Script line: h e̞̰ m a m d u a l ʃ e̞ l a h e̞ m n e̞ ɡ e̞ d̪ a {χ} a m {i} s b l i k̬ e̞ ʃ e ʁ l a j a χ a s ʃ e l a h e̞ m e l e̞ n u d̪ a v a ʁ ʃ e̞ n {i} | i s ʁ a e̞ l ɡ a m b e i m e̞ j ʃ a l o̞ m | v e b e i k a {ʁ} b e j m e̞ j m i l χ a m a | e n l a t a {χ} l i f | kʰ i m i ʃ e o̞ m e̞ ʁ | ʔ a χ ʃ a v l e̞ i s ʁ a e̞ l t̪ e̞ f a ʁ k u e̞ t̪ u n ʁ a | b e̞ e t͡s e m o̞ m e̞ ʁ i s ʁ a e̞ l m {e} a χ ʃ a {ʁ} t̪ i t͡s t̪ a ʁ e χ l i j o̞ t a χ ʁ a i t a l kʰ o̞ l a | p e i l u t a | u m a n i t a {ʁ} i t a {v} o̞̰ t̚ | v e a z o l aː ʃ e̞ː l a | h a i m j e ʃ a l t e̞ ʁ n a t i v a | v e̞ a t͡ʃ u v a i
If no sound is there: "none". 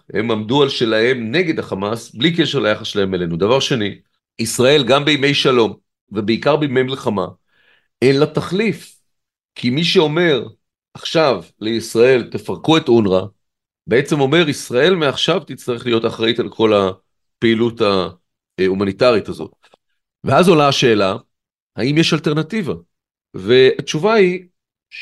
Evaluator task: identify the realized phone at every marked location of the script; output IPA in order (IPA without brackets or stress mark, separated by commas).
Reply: χ, a, i, ʁ, χ, e, v, ʁ, z